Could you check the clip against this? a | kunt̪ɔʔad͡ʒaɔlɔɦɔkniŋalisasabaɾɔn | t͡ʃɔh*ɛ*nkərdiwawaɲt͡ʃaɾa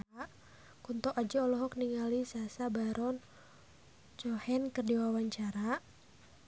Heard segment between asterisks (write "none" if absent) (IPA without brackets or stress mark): ɛ